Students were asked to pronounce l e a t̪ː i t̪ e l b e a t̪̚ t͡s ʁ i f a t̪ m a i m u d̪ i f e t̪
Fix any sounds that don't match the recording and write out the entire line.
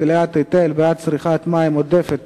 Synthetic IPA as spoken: l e a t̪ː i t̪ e l b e a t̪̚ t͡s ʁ i χ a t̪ m a i m o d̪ e f e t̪